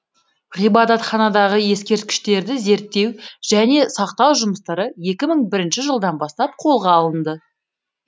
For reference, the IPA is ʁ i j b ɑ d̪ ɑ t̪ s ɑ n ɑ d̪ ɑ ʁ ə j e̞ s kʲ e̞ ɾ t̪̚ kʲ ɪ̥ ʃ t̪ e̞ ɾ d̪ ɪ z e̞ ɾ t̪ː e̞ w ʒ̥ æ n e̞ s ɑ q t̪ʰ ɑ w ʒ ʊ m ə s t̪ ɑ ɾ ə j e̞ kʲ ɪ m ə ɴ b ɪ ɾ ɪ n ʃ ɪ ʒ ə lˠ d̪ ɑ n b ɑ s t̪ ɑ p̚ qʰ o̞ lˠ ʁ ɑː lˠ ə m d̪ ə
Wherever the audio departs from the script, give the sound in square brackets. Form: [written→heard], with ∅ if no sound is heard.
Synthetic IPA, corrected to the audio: ʁ i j b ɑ d̪ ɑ t̪ [s→χ] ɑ n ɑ d̪ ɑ ʁ ə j e̞ s kʲ e̞ ɾ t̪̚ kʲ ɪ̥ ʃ t̪ e̞ ɾ d̪ ɪ z e̞ ɾ t̪ː e̞ w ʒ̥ æ n e̞ s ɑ q [t̪ʰ→t̪] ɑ w ʒ ʊ m ə s t̪ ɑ ɾ ə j e̞ kʲ ɪ m ə ɴ b ɪ ɾ ɪ n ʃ ɪ ʒ ə lˠ d̪ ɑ n b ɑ s t̪ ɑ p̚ qʰ o̞ lˠ ʁ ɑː lˠ ə [m→n] d̪ ə